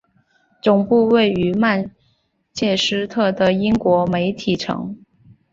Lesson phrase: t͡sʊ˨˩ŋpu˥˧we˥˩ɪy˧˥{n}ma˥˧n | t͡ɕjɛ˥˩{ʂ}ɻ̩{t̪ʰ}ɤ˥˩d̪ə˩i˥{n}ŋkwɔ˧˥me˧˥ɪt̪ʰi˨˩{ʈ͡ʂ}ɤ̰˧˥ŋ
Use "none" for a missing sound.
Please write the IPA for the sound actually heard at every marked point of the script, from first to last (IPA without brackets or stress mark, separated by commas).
none, ʂ, t̪ʰ, none, ʈ͡ʂʰ